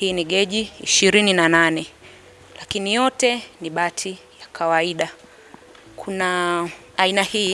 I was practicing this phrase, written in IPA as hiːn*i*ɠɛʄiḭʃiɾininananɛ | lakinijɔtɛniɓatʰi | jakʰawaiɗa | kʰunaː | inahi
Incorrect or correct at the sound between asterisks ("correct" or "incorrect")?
correct